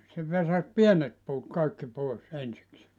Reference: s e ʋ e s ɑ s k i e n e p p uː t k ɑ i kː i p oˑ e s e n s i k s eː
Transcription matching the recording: s e ʋ e s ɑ s p i e n e t p uː t k ɑ i kː i p oˑ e s e n s i k s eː